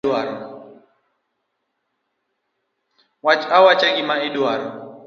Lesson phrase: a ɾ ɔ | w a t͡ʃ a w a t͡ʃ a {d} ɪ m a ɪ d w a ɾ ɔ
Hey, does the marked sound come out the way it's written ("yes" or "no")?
no